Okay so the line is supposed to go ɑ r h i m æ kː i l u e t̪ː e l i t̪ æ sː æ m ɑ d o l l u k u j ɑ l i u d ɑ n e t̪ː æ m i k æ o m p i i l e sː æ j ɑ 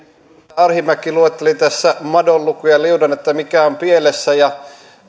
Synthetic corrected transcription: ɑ r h i m æ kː i l u e t̪ː e l i t̪ æ sː æ m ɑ d o l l u k u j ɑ l i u d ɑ n e t̪ː æ m i k æ o m p i e l e sː æ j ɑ